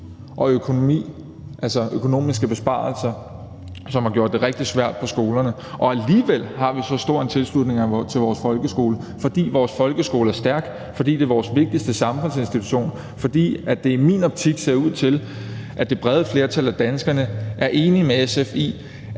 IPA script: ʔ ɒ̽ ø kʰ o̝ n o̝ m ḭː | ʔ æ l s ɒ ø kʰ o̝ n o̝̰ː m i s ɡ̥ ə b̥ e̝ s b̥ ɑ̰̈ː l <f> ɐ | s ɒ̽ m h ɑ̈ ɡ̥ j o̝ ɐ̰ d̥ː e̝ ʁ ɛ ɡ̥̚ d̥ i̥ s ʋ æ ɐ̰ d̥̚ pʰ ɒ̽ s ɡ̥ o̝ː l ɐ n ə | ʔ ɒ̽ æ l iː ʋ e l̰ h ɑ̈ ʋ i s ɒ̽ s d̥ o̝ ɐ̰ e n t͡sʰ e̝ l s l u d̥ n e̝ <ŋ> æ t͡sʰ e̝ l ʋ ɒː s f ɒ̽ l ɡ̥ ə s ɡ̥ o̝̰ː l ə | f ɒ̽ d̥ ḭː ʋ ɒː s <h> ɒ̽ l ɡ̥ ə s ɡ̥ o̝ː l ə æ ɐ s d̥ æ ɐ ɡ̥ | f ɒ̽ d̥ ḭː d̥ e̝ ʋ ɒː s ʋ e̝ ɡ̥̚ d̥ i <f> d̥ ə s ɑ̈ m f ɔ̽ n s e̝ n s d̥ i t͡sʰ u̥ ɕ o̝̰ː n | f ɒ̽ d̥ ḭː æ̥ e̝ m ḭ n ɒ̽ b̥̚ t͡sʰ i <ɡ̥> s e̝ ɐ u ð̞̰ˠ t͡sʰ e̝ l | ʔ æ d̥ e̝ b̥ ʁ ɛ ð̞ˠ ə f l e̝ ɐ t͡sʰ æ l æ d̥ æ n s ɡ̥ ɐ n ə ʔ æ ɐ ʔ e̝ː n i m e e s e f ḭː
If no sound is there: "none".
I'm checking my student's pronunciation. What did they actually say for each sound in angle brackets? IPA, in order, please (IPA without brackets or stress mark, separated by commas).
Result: s, ŋ, f, s, ɡ̥